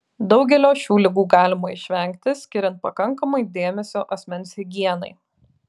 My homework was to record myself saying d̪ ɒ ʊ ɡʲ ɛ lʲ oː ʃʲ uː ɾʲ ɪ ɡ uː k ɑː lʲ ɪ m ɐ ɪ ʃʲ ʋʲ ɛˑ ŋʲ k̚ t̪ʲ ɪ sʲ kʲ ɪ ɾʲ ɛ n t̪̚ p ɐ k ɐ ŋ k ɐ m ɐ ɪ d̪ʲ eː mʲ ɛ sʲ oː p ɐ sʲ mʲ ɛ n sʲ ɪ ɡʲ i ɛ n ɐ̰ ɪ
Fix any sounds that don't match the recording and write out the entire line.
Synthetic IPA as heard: d̪ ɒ ʊ ɡʲ ɛ lʲ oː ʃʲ uː lʲ ɪ ɡ uː ɡ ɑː lʲ ɪ m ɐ ɪ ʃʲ ʋʲ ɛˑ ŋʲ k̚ t̪ʲ ɪ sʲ kʲ ɪ ɾʲ ɛ n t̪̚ p ɐ k ɐ ŋ k ɐ m ɐ ɪ d̪ʲ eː mʲ ɛ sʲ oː ʔ ɐ sʲ mʲ ɛ n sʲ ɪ ɡʲ i ɛ n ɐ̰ ɪ